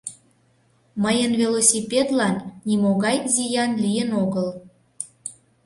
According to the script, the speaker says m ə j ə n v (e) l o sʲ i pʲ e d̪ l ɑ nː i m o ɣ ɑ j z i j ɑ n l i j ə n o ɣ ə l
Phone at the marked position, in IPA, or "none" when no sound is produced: e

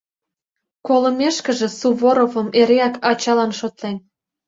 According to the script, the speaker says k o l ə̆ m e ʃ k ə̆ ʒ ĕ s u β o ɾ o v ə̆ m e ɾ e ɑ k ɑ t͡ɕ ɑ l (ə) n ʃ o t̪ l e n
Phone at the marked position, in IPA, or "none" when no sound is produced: ɑ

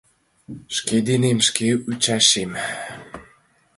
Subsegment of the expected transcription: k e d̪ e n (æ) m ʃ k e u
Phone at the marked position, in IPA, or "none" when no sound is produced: e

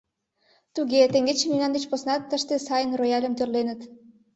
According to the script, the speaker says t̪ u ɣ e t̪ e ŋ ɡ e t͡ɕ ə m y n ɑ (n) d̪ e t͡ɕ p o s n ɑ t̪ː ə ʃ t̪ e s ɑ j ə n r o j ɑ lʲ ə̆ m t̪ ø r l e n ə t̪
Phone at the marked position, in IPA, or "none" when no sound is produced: n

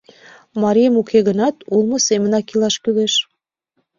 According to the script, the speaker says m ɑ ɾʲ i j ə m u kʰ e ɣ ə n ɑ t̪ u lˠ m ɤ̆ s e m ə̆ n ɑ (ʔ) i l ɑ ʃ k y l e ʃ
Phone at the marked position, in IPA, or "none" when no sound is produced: k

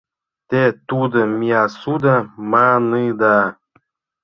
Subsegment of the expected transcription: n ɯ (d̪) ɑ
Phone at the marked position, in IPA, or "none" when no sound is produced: d̪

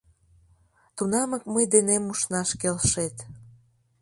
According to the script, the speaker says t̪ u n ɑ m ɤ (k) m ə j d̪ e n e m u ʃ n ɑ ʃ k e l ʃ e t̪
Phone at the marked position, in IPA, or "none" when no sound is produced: k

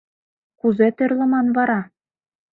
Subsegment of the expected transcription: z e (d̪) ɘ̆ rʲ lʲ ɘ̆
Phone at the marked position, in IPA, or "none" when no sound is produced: t̪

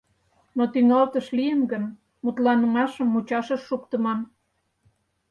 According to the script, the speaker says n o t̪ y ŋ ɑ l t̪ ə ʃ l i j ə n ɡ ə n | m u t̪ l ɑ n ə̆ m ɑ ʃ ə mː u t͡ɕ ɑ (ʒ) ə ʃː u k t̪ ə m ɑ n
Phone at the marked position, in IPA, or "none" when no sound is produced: ʃ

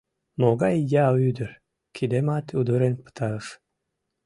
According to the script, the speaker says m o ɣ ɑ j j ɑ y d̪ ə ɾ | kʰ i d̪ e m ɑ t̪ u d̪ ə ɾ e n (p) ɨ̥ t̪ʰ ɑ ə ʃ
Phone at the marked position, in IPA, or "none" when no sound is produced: p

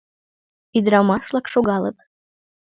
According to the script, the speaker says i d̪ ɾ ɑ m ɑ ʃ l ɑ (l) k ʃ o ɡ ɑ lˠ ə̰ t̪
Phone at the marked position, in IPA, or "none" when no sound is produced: none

